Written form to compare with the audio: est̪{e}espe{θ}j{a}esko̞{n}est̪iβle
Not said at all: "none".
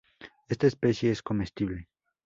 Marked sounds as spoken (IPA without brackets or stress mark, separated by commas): a, s, e, m